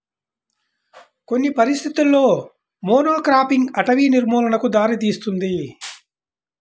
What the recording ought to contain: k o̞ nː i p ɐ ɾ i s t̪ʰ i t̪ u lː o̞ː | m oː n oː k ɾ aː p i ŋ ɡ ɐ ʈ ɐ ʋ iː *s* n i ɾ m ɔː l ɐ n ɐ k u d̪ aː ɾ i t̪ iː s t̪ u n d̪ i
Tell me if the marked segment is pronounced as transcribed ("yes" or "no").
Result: no